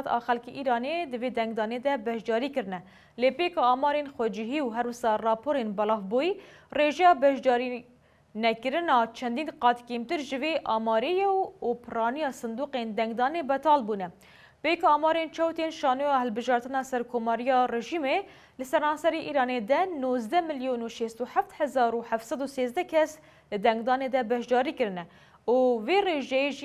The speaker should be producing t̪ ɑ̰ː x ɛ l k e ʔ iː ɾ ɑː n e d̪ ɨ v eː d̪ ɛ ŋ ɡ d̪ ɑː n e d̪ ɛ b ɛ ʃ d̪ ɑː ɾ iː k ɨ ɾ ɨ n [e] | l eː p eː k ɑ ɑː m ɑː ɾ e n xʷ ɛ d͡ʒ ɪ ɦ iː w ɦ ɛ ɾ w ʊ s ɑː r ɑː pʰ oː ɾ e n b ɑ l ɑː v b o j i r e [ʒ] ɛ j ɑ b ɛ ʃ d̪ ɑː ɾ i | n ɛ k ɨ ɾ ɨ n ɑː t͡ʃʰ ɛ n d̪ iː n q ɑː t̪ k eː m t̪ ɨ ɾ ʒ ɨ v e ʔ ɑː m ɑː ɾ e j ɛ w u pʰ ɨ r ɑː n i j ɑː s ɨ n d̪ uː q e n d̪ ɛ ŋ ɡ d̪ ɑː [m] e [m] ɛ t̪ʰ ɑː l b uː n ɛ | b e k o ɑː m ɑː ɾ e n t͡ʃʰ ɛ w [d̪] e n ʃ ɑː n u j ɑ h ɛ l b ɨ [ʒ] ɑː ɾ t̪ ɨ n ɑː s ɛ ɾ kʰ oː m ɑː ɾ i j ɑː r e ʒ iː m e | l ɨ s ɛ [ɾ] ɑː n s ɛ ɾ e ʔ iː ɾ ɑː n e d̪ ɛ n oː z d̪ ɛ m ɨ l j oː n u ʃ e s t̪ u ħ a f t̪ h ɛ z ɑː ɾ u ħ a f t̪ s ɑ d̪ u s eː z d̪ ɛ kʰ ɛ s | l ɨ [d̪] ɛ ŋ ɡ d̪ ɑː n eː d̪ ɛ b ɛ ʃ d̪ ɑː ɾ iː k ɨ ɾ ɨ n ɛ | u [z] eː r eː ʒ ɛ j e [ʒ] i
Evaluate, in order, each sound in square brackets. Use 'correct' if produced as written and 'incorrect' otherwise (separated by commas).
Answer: incorrect, correct, incorrect, incorrect, incorrect, correct, correct, correct, incorrect, correct